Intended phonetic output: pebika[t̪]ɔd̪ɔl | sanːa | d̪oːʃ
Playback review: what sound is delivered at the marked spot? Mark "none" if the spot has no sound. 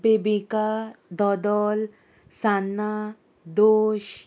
d̪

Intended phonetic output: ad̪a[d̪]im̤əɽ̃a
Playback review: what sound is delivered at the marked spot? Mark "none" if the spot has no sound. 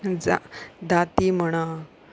t̪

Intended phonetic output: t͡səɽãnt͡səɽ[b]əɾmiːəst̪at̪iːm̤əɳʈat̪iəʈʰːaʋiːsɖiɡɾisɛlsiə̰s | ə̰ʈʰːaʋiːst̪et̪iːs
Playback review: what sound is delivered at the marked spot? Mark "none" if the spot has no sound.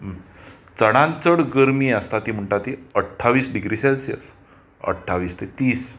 ɡ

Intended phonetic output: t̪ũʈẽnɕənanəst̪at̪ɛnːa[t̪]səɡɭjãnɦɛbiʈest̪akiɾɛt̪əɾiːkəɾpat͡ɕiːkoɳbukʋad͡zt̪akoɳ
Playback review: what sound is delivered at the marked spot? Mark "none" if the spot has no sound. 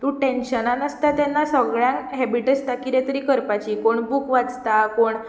none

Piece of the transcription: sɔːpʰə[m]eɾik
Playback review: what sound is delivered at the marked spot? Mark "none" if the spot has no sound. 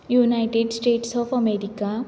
m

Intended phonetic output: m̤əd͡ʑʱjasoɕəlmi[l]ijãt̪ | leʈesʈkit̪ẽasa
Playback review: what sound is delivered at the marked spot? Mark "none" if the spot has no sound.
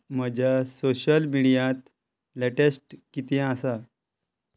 ɽ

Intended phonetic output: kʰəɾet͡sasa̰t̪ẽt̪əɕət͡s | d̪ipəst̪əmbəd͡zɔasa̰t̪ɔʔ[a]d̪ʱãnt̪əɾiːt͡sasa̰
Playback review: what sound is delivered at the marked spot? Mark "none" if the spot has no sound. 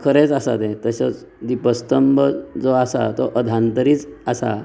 ə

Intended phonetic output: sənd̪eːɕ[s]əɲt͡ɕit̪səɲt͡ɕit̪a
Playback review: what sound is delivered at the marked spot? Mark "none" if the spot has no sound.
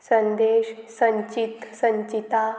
s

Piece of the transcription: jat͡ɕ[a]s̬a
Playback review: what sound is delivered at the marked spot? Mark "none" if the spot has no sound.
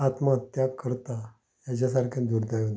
a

